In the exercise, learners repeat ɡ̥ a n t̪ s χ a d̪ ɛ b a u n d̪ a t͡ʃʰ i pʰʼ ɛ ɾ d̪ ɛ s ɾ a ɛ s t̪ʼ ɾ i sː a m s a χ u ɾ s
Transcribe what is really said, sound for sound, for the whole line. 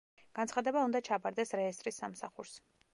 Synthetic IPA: ɡ̥ a n t̪ s χ a d̪ ɛ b a u n d̪ a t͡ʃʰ a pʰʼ a ɾ d̪ ɛ s ɾ ɛ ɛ s t̪ʼ ɾ i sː a m s a χ u ɾ s